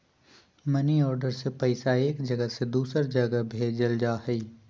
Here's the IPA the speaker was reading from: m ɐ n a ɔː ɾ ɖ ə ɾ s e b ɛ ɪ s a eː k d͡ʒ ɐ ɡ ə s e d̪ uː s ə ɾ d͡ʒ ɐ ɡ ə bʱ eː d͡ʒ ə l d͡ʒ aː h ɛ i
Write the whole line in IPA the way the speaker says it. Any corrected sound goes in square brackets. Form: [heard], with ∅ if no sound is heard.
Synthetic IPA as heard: m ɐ n [i] ɔː ɾ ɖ ə ɾ s e [p] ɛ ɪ s a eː k d͡ʒ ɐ ɡ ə s e d̪ uː s ə ɾ d͡ʒ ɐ ɡ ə bʱ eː d͡ʒ ə l d͡ʒ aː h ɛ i